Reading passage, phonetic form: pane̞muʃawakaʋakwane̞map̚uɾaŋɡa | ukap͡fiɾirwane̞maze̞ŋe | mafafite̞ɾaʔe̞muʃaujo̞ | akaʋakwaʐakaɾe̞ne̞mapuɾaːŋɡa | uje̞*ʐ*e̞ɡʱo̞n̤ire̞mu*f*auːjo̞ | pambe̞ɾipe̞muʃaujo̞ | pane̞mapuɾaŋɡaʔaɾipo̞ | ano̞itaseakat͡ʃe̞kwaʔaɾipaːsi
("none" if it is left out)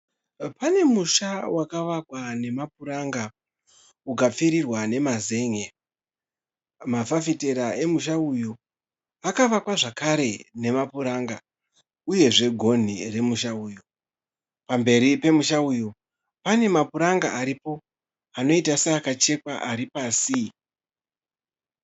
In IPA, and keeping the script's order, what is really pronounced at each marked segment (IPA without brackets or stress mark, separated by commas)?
ʐ, ʃ